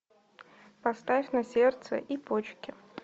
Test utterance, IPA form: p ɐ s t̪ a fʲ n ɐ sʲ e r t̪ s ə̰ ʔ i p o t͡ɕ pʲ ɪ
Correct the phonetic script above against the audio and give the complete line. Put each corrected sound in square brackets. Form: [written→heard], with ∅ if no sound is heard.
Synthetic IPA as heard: p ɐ s t̪ a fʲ n ɐ sʲ e r t̪ s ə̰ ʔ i p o t͡ɕ [pʲ→kʲ] ɪ

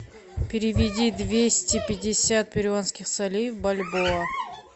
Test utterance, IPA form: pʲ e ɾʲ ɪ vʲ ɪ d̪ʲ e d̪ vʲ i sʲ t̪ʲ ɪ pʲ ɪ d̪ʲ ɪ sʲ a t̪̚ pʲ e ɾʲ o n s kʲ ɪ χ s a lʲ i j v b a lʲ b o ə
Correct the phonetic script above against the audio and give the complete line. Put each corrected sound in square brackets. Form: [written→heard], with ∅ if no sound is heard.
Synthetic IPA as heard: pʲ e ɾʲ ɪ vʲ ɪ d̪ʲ [e→i] d̪ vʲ [i→e] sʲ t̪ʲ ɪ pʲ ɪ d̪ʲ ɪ sʲ a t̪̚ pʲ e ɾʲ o n s kʲ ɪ χ s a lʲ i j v b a lʲ b o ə

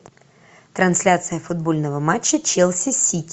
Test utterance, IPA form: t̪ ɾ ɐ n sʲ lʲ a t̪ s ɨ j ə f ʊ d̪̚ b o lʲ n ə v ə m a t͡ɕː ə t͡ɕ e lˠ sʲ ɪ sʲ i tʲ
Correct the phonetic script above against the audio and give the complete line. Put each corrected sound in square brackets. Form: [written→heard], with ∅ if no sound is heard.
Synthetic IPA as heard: t̪ ɾ ɐ n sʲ lʲ a t̪ s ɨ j ə f ʊ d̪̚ b o lʲ n ə v ə m a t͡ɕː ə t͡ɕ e lˠ sʲ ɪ sʲ i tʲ

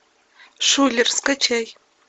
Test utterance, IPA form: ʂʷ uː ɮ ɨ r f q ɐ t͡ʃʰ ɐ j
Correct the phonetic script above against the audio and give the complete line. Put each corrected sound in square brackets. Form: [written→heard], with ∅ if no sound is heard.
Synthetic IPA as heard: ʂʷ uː ɮ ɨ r [f→s] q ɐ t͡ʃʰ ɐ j

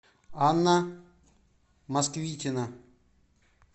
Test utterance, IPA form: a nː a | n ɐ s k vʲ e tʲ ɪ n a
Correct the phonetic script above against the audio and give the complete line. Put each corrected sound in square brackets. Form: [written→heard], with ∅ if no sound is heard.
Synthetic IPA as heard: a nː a | [n→m] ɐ s k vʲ [e→i] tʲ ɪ n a

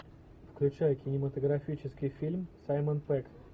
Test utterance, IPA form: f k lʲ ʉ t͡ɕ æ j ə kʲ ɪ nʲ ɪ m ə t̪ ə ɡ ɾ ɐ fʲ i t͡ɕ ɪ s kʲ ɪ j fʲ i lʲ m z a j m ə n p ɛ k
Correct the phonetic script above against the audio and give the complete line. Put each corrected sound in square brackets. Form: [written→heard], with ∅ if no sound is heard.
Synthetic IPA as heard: f k lʲ ʉ t͡ɕ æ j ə kʲ ɪ nʲ ɪ m ə t̪ ə ɡ ɾ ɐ fʲ i t͡ɕ ɪ s kʲ ɪ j fʲ i lʲ m [z→s] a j m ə n p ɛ k

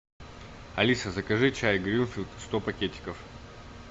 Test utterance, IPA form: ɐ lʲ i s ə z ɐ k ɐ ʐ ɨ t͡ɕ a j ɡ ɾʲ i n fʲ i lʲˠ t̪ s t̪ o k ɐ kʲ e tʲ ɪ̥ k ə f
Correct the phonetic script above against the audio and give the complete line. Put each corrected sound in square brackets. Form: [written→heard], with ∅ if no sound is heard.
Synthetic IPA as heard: ɐ lʲ i s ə z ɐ k ɐ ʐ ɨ t͡ɕ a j ɡ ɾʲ i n fʲ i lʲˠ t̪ s t̪ o [k→p] ɐ kʲ e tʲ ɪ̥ k ə f

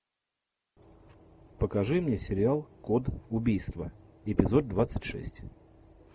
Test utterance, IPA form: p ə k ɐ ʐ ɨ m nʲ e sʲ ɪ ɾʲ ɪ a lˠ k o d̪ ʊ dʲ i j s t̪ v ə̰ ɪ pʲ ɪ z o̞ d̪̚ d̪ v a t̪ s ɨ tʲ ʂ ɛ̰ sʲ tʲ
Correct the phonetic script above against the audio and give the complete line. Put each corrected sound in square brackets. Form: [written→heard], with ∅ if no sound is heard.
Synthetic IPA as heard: p ə k ɐ ʐ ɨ m nʲ e sʲ ɪ ɾʲ ɪ a lˠ k o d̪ ʊ [dʲ→bʲ] i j s t̪ v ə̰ ɪ pʲ ɪ z o̞ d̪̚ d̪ v a t̪ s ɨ tʲ ʂ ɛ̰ sʲ tʲ

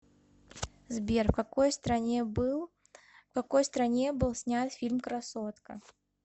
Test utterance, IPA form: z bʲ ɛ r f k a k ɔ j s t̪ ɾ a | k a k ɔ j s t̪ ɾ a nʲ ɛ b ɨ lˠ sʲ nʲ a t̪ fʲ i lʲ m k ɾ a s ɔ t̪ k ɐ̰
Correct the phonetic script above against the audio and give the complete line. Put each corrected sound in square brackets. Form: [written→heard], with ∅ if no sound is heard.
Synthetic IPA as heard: z bʲ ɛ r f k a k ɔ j s t̪ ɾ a | k a k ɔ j s t̪ ɾ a nʲ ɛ b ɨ lˠ sʲ nʲ a t̪ fʲ i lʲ m k ɾ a s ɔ t̪ k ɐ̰

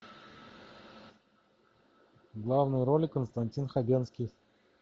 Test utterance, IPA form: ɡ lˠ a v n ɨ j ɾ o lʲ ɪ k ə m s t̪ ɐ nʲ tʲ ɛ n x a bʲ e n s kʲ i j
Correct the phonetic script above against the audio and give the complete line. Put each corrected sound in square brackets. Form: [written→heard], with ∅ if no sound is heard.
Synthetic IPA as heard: ɡ lˠ a v n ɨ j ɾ o lʲ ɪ k ə [m→n] s t̪ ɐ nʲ tʲ [ɛ→i] n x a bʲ e n s kʲ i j

